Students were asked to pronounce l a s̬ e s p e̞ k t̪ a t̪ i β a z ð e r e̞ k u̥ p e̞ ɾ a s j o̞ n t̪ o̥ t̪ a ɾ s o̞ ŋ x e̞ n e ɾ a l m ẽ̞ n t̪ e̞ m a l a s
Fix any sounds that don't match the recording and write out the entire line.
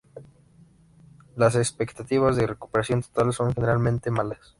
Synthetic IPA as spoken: l a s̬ e s p e̞ k t̪ a t̪ i β a z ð e r e̞ k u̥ p e̞ ɾ a s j o̞ n t̪ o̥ t̪ a l s o̞ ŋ x e̞ n e ɾ a l m ẽ̞ n t̪ e̞ m a l a s